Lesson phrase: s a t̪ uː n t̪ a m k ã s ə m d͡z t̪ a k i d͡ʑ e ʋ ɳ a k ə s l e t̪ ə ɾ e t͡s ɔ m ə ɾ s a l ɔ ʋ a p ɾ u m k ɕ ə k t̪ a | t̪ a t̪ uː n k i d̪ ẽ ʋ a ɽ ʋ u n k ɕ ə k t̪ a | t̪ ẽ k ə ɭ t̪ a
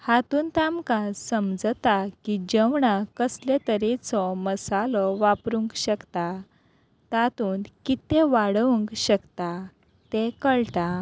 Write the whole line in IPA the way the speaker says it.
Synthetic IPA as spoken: h a t̪ uː n t̪ a m k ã s ə m d͡z t̪ a k i d͡ʑ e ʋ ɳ a k ə s l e t̪ ə ɾ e t͡s ɔ m ə s a l ɔ ʋ a p ɾ u ŋ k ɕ ə k t̪ a | t̪ a t̪ uː n k i t̪ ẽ ʋ a ɽ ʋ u ŋ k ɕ ə k t̪ a | t̪ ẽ k ə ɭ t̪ a